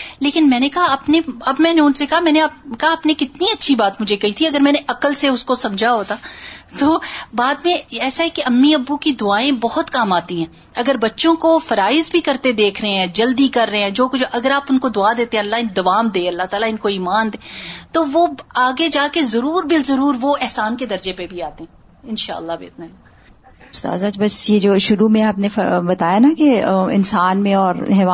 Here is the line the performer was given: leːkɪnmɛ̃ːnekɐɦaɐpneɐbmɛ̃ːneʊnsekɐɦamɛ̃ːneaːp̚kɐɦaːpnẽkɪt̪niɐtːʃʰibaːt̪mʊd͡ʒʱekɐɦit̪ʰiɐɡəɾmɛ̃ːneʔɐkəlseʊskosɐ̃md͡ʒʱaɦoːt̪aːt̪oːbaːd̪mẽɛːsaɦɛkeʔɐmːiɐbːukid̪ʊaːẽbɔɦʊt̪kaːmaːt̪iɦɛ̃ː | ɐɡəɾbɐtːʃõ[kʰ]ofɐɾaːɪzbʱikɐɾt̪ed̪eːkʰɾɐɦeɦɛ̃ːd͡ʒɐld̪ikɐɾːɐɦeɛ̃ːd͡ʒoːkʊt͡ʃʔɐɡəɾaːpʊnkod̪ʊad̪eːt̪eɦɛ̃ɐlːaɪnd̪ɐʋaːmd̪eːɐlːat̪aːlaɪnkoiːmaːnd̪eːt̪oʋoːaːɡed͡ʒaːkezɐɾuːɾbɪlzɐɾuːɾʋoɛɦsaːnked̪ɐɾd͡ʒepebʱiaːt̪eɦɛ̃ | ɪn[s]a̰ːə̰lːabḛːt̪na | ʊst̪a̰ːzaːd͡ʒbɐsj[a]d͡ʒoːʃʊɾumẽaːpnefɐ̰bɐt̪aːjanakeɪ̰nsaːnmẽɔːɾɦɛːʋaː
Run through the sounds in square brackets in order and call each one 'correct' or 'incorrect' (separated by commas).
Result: incorrect, incorrect, incorrect